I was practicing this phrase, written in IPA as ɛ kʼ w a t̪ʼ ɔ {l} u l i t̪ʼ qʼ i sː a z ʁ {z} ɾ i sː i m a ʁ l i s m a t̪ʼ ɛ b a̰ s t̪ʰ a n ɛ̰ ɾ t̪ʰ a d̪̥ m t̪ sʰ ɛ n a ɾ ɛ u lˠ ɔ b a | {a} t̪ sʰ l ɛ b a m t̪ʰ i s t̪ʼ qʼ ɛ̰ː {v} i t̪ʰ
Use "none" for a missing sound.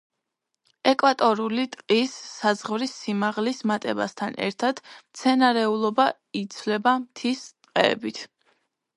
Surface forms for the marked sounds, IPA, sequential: ɾ, v, i, b

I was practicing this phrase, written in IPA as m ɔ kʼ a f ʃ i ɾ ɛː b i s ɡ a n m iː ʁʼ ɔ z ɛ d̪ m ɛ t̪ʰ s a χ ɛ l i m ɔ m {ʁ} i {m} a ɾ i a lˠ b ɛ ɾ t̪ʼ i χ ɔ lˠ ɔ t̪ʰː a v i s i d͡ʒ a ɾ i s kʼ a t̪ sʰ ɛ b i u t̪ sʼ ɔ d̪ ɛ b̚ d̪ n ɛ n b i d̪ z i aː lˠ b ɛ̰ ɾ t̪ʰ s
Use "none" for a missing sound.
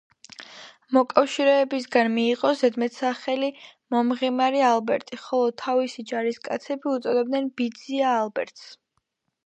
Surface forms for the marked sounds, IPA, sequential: ʁ, m

